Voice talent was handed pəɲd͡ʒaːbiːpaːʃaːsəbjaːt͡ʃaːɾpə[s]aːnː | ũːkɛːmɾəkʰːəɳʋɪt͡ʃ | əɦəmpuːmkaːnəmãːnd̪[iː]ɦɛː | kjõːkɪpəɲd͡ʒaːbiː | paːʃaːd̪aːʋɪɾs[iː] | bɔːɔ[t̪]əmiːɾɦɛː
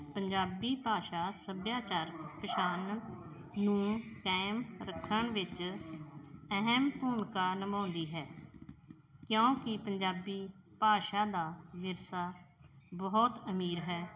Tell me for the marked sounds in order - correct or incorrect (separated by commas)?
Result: incorrect, correct, incorrect, correct